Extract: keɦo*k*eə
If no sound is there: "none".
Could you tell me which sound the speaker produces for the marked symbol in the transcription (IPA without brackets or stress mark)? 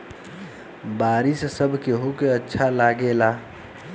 k